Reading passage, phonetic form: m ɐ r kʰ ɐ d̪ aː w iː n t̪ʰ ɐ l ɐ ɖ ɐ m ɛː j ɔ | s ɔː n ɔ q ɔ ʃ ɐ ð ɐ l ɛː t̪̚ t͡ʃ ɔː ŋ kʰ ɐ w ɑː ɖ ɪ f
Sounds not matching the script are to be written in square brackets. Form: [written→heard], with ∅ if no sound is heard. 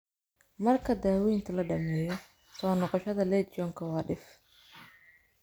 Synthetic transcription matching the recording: m ɐ r kʰ ɐ d̪ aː w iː n t̪ʰ ɐ l ɐ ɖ ɐ m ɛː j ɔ | s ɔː n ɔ q ɔ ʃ ɐ ð ɐ l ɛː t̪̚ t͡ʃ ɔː ŋ kʰ ɐ w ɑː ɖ ɪ f

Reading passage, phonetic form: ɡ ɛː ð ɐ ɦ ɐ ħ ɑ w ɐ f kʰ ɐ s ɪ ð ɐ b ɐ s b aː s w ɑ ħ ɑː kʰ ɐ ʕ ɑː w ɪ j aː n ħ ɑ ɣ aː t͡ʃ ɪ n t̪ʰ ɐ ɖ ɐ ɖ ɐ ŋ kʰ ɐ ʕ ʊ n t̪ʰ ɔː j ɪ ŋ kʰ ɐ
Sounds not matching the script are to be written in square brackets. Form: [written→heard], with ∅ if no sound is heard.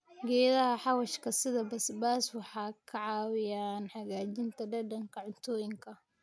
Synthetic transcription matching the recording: ɡ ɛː ð ɐ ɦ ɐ ħ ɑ w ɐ [f→ʃ] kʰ ɐ s ɪ ð ɐ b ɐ s b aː s w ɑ ħ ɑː kʰ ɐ ʕ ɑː w ɪ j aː n ħ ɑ ɣ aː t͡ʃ ɪ n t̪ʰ ɐ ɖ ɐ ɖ ɐ ŋ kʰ ɐ ʕ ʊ n t̪ʰ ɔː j ɪ ŋ kʰ ɐ

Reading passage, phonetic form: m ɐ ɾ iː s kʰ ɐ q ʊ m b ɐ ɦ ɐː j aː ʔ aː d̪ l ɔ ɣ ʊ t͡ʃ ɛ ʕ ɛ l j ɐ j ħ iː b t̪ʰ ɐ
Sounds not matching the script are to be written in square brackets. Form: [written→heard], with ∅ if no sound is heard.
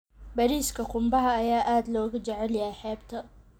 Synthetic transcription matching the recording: [m→b] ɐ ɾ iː s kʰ ɐ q ʊ m b ɐ ɦ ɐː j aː ʔ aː d̪ l [ɔ→ɔː] ɣ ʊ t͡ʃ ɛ ʕ ɛ l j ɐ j ħ [iː→ɛː] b t̪ʰ ɐ

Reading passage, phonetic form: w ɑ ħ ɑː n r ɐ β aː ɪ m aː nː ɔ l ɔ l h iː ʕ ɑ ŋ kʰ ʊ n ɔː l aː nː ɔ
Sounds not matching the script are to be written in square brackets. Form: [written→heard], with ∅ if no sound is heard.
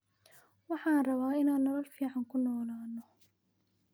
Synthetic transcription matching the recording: w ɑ ħ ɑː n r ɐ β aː ɪ [m→n] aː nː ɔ l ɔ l [h→f] iː ʕ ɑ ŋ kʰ ʊ n ɔː l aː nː ɔ

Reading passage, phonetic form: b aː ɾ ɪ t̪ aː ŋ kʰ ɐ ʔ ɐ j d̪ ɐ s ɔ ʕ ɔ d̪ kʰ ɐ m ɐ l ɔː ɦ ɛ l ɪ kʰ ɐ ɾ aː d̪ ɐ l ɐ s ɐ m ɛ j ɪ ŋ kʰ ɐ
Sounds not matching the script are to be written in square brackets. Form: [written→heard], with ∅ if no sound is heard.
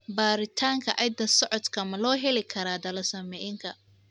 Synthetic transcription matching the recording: b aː ɾ ɪ [t̪→t̪ʰ] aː ŋ kʰ ɐ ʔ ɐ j d̪ ɐ s ɔ ʕ ɔ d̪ kʰ ɐ m ɐ l ɔː ɦ ɛ l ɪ kʰ ɐ ɾ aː d̪ ɐ l ɐ s ɐ m ɛ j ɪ ŋ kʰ ɐ

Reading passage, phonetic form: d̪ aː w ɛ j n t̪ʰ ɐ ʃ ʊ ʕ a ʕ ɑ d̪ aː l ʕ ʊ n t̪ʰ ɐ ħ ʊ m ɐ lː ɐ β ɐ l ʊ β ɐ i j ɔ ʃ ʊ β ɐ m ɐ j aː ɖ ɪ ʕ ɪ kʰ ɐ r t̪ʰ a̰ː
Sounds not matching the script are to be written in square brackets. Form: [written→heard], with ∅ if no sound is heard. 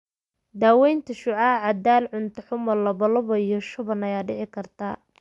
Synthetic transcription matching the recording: d̪ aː w ɛ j n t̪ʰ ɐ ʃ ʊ ʕ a ʕ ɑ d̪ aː l ʕ ʊ n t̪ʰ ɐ ħ ʊ m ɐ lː ɐ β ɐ l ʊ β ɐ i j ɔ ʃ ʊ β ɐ [m→n] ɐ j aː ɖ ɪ ʕ ɪ kʰ ɐ r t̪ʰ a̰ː

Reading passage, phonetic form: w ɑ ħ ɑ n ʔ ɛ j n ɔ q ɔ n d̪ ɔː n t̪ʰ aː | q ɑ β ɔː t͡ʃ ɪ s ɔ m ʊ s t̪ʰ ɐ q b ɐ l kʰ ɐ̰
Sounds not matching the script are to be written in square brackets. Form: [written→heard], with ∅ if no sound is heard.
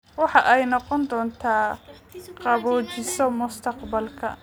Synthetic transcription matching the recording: w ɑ ħ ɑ [n→∅] ʔ ɛ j n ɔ q ɔ n d̪ ɔː n t̪ʰ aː | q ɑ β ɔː t͡ʃ ɪ s ɔ m ʊ s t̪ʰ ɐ q b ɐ l kʰ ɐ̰

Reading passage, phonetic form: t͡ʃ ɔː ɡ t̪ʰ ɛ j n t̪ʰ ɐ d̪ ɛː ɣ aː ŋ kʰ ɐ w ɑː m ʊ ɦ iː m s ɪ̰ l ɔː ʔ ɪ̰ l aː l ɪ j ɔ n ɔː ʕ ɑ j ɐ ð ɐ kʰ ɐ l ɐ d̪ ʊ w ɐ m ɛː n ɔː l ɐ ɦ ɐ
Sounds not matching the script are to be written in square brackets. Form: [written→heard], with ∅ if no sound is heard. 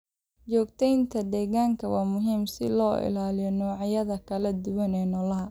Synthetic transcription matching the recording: t͡ʃ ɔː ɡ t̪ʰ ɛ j n t̪ʰ ɐ d̪ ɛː ɣ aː ŋ kʰ ɐ w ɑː m ʊ ɦ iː m s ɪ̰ l ɔː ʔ ɪ̰ l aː l ɪ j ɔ n ɔː ʕ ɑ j ɐ ð ɐ kʰ ɐ l ɐ d̪ ʊ w ɐ [m→n] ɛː n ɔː l ɐ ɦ ɐ

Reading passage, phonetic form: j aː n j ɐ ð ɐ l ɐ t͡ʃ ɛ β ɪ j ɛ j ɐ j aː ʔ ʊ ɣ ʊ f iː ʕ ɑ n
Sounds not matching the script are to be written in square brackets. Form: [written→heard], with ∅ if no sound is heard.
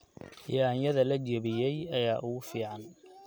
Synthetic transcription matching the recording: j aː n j ɐ ð ɐ l ɐ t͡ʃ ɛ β ɪ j ɛ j ɐ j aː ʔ ʊ ɣ ʊ f iː ʕ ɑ n

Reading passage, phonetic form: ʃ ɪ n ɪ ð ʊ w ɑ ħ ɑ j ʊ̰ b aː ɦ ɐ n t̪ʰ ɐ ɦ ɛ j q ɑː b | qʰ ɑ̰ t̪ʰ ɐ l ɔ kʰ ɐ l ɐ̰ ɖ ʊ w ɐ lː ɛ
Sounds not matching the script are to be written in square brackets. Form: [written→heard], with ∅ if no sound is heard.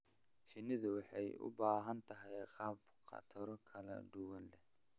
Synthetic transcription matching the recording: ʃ ɪ n ɪ ð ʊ w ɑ ħ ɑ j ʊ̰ b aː ɦ ɐ n t̪ʰ ɐ ɦ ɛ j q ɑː b | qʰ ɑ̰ t̪ʰ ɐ [l→ɾ] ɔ kʰ ɐ l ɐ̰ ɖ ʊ w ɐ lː ɛ

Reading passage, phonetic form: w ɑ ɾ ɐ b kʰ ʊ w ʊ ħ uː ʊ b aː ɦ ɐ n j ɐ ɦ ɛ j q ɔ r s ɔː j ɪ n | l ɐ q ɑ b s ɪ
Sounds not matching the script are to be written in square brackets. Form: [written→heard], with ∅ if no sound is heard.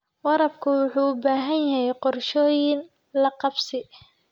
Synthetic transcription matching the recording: w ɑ ɾ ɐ b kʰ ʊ w ʊ ħ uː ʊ b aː ɦ ɐ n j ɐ ɦ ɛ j q ɔ r [s→ʃ] ɔː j ɪ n | l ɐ q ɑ b s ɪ

